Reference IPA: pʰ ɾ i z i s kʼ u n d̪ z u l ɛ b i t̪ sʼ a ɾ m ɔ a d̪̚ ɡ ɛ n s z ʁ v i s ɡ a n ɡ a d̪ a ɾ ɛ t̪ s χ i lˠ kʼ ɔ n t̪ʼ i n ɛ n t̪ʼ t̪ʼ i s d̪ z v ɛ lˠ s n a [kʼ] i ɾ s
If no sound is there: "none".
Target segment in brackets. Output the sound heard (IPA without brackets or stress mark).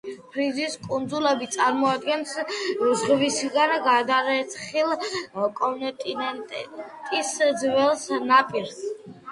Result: pʼ